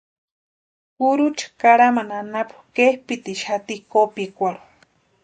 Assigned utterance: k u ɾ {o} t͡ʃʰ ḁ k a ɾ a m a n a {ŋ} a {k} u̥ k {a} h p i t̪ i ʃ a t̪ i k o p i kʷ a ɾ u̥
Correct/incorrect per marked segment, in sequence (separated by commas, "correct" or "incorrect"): incorrect, incorrect, incorrect, incorrect